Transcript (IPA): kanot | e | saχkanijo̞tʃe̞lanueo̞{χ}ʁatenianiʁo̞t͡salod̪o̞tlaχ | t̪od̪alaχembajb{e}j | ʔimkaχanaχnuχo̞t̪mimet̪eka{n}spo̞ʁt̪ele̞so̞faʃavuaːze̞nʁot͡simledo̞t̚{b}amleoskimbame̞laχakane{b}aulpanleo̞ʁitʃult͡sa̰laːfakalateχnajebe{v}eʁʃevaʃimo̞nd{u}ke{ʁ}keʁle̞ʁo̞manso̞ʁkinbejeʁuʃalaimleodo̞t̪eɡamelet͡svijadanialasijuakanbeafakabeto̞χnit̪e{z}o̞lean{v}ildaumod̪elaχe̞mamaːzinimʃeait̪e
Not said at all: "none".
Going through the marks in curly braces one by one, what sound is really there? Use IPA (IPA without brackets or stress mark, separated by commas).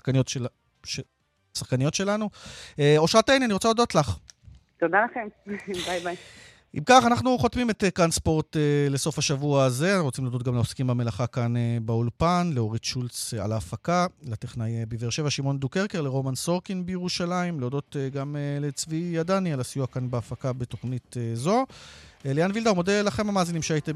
ʃ, a, n, ɡ, b, v, u, ʁ, z, v